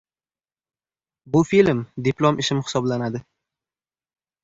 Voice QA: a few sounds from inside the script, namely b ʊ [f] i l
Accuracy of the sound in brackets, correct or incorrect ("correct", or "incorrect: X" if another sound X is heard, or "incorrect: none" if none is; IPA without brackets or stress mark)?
correct